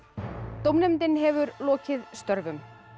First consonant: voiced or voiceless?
voiceless